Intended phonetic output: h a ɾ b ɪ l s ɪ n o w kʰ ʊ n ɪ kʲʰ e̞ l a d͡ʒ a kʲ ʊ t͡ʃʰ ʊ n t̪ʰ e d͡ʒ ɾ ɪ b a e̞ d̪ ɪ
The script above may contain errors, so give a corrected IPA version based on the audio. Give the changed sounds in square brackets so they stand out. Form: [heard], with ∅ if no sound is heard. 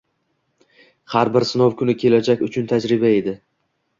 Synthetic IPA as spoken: h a ɾ b ɪ [ɾ] s ɪ n o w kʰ ʊ n ɪ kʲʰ e̞ l a d͡ʒ a kʲ ʊ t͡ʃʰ ʊ n t̪ʰ [a] d͡ʒ ɾ ɪ b a e̞ d̪ ɪ